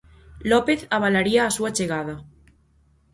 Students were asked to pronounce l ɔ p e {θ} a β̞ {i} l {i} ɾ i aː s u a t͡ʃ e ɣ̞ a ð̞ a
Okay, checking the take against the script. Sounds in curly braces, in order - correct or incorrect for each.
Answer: correct, incorrect: a, incorrect: a

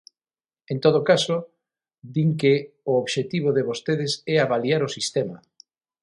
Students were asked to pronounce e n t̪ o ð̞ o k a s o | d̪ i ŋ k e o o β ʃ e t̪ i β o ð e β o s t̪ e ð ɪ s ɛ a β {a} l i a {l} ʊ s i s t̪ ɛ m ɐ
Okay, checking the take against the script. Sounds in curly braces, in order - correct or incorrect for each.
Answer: correct, incorrect: ɾ

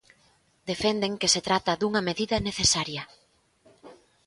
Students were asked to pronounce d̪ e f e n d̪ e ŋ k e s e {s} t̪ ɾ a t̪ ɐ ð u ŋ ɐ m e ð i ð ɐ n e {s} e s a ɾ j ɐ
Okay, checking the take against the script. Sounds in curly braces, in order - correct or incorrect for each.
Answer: incorrect: none, incorrect: θ

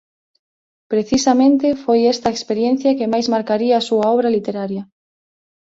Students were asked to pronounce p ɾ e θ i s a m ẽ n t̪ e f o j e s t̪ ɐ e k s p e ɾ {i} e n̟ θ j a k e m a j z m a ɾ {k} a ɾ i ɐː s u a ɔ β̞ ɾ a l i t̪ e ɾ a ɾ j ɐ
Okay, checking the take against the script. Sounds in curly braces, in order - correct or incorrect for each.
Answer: incorrect: j, correct

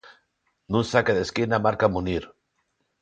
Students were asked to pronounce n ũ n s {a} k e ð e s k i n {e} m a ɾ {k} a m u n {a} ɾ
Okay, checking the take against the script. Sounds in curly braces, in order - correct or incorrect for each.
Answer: correct, incorrect: a, correct, incorrect: i

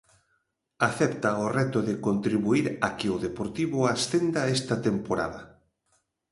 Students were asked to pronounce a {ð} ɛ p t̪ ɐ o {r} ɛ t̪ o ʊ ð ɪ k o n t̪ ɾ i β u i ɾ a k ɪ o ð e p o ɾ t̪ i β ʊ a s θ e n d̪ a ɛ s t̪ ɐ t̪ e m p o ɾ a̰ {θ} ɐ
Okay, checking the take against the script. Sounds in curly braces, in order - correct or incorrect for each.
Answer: incorrect: θ, correct, incorrect: ð

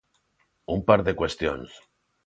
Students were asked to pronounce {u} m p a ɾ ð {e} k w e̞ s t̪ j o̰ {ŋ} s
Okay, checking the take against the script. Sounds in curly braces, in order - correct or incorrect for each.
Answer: correct, correct, incorrect: n

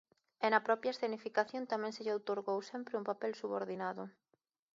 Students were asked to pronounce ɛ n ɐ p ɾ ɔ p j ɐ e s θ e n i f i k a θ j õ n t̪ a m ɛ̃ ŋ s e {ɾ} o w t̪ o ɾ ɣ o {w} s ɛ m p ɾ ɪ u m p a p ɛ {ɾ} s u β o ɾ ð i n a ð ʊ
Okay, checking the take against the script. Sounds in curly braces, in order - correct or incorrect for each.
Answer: incorrect: ʎ, correct, incorrect: l

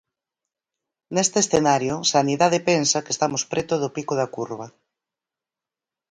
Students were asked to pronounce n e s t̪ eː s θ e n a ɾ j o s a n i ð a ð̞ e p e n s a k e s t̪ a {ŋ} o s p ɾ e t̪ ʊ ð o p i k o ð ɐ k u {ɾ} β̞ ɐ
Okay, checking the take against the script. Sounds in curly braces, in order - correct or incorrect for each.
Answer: incorrect: m, correct

